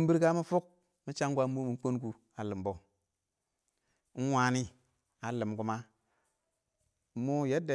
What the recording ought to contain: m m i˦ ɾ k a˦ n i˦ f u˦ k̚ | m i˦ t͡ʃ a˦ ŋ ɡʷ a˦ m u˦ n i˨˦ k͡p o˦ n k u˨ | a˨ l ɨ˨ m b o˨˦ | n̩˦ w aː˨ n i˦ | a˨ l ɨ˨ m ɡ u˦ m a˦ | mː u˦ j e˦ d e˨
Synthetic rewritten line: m b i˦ ɾ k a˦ m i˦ f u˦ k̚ | m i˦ t͡ʃ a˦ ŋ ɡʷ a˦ m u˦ m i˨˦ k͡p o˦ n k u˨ | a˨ l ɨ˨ m b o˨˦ | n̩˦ w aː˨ n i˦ | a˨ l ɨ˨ m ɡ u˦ m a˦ | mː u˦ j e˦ d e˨